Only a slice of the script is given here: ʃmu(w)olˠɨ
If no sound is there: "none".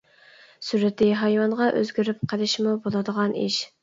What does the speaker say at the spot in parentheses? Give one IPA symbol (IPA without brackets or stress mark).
b